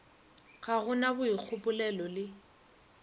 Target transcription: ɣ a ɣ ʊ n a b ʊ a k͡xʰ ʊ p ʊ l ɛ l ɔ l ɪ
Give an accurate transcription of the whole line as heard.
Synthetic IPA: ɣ a ɣ ʊ n a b ʊ i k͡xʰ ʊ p ʊ l ɛ l ɔ l ɪ